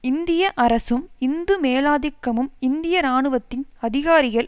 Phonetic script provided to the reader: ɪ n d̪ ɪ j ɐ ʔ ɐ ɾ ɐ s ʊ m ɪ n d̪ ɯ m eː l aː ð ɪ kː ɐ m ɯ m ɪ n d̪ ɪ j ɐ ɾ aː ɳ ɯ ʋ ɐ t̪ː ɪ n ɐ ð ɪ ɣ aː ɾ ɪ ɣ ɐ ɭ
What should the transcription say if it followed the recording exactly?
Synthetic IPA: ɪ n d̪ ɪ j ɐ ʔ ɐ ɾ ɐ s ɯ m ɪ n d̪ ɯ m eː l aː ð ɪ kː ɐ m ɯ m ɪ n d̪ ɪ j ɐ ɾ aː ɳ ɯ ʋ ɐ t̪ː ɪ n ɐ ð ɪ ɣ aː ɾ ɪ ɣ ɐ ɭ